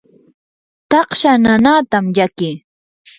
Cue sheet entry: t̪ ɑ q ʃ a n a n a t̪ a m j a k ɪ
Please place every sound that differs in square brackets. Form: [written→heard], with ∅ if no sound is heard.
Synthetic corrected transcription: t̪ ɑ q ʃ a n a n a t̪ a m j a k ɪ